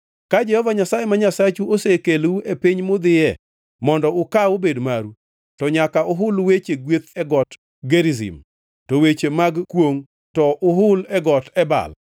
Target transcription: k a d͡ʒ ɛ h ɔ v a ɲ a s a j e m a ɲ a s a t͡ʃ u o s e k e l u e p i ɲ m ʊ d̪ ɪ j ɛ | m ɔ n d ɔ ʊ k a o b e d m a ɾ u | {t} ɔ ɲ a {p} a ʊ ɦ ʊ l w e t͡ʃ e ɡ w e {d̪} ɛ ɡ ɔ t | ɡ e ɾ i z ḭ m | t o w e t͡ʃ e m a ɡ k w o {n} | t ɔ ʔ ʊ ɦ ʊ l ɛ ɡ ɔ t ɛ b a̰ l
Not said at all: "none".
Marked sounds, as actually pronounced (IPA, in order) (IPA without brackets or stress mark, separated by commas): t, k, t̪, ŋ